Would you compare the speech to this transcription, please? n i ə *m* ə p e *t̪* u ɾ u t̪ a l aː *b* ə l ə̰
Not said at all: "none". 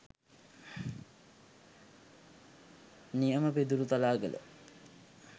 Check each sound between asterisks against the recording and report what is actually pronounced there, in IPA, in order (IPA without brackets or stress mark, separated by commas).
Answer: m, d̪, ɡ